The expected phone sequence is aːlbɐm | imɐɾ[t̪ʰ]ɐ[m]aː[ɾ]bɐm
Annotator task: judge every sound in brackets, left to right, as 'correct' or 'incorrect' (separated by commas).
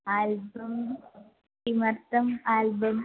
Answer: incorrect, correct, incorrect